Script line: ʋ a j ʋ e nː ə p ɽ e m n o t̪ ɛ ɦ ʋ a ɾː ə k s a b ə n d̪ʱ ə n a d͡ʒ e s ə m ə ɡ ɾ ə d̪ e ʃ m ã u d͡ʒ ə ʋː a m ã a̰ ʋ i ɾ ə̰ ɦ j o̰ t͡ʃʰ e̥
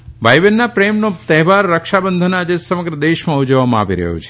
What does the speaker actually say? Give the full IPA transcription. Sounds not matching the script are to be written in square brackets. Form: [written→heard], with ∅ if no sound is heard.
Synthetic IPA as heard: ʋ a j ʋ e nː [ə→a] p [ɽ→ɾ] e m n o t̪ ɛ ɦ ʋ a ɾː ə k [s→ʃ] a b ə n d̪ʱ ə n a d͡ʒ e s ə m ə ɡ ɾ ə d̪ e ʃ m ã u d͡ʒ ə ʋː a m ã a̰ ʋ i ɾ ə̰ ɦ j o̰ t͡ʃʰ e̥